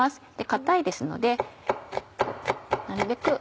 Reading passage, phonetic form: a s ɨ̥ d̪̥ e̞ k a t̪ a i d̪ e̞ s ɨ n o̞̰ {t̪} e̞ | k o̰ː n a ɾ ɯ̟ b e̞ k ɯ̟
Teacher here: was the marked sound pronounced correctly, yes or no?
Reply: no